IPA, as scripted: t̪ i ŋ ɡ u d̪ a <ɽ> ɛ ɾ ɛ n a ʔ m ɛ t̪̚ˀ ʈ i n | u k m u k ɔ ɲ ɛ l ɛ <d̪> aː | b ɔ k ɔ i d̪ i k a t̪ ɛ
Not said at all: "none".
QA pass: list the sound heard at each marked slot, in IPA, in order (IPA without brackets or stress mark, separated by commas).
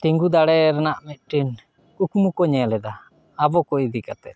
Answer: ɽ, d̪